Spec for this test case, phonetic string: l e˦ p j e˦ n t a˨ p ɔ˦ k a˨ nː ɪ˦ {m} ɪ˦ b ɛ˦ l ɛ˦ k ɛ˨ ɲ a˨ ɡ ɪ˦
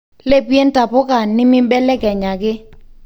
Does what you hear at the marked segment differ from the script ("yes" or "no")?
no